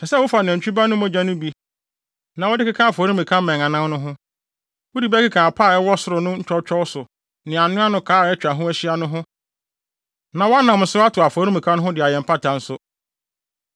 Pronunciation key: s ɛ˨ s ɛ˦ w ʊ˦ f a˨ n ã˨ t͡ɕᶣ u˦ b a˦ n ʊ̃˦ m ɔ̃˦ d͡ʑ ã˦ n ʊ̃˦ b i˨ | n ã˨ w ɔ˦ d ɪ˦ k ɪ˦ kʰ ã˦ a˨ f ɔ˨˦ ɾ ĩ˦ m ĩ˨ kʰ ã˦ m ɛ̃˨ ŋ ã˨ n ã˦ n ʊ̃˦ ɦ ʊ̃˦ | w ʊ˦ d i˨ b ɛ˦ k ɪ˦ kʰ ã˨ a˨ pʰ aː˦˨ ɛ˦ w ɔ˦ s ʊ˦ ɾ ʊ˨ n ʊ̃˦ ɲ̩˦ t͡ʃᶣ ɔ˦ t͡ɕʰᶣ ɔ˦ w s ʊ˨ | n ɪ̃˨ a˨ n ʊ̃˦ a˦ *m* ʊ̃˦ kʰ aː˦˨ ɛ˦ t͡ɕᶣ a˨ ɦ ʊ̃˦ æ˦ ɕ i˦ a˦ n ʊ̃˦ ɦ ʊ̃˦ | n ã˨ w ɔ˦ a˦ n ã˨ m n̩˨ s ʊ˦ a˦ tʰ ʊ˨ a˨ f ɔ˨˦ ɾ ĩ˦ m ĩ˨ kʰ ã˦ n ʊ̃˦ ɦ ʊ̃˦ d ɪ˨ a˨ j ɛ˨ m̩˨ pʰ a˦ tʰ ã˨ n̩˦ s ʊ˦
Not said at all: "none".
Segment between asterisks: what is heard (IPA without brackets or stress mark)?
n